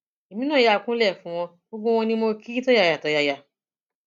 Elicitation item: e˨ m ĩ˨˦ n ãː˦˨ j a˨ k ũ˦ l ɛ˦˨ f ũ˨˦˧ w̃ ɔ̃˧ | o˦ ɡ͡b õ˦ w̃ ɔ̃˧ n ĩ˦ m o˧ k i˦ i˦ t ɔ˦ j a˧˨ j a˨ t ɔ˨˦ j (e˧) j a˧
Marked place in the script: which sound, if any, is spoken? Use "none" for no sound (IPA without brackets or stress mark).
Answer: a˧